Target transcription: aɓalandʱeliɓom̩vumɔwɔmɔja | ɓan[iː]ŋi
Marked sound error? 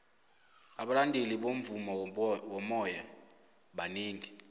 no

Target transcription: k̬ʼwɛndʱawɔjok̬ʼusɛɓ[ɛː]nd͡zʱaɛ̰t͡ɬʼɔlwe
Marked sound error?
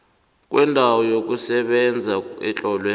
yes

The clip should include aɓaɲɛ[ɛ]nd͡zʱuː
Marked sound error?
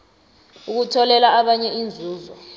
yes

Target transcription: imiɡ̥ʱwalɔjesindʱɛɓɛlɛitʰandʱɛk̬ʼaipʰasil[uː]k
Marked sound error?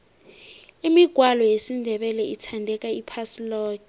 yes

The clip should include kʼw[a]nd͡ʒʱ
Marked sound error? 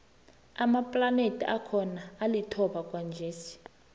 no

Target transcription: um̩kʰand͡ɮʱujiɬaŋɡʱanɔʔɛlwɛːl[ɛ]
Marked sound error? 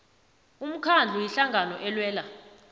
yes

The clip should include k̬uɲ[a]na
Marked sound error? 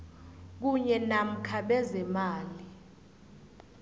yes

